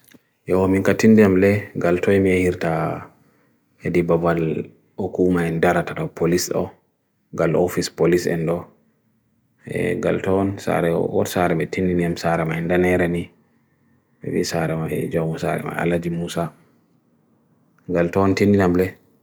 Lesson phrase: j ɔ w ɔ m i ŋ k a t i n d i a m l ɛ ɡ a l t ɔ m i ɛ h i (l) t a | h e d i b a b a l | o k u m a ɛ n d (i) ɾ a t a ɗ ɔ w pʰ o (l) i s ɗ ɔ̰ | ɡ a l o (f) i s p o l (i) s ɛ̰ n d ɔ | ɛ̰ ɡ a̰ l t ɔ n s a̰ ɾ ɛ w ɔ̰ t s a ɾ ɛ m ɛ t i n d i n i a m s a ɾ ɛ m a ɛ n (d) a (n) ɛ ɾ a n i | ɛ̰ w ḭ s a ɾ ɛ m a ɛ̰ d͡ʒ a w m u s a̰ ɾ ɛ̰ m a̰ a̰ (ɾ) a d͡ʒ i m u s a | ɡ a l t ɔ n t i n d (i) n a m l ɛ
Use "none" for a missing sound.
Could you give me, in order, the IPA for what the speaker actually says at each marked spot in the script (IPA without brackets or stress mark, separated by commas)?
ɾ, a, l, f, i, d, n, l, i